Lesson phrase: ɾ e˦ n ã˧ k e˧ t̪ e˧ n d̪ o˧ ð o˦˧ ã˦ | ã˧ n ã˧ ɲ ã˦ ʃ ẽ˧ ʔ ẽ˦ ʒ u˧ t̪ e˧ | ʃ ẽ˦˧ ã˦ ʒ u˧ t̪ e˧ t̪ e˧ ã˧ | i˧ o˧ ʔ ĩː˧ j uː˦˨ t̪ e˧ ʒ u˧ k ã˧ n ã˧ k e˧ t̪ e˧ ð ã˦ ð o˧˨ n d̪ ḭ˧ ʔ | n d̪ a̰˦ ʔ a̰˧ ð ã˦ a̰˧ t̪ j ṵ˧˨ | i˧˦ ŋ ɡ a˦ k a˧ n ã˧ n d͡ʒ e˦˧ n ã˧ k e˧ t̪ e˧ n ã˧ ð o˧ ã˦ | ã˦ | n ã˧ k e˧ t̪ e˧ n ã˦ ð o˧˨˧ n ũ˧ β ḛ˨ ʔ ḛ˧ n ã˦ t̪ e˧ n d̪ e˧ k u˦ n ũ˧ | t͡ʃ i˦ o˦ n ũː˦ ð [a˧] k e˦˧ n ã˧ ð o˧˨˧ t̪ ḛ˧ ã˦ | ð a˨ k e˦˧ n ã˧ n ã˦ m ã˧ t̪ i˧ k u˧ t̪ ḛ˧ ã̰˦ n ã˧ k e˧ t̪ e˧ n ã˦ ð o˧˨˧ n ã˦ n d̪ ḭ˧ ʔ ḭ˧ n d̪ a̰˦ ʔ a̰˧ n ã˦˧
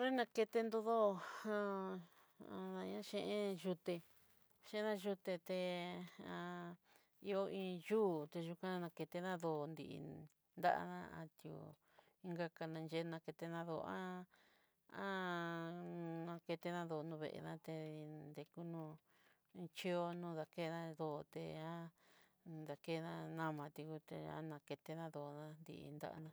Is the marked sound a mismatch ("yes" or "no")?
no